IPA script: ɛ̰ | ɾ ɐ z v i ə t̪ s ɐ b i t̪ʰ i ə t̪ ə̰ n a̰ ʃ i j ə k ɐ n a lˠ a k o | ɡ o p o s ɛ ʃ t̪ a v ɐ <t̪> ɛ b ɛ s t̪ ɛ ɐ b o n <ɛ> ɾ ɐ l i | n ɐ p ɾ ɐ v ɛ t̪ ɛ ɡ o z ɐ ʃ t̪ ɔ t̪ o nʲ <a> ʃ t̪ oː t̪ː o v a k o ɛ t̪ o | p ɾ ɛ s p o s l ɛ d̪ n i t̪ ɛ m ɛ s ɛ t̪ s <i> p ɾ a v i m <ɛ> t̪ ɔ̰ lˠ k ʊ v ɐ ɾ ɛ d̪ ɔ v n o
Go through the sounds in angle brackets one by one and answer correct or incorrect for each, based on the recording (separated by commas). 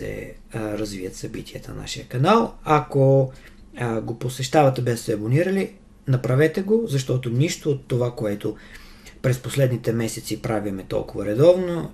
correct, incorrect, incorrect, correct, correct